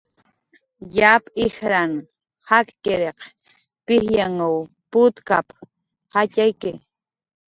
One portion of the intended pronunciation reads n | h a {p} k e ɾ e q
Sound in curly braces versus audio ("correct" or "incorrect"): incorrect